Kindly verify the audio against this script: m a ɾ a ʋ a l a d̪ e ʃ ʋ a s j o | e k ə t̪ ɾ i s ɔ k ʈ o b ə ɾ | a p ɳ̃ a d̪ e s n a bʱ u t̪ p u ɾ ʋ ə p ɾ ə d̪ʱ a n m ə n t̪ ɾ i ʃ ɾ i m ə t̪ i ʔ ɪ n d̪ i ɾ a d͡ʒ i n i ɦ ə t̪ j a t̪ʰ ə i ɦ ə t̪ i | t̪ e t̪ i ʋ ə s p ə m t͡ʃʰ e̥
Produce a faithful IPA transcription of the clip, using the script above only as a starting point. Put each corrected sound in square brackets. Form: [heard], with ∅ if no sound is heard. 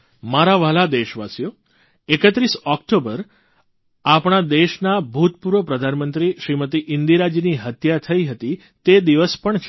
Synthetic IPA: m a ɾ a ʋ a l a d̪ e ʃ ʋ a s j o | e k ə t̪ ɾ i s ɔ k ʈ o b ə ɾ | a p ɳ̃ a d̪ e [ʃ] n a bʱ u t̪ p u ɾ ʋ ə p ɾ ə d̪ʱ a n m ə n t̪ ɾ i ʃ ɾ i m ə t̪ i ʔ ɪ n d̪ i ɾ a d͡ʒ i n i ɦ ə t̪ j a t̪ʰ ə i ɦ ə t̪ i | t̪ e [d̪] i ʋ ə s p ə [ɳ] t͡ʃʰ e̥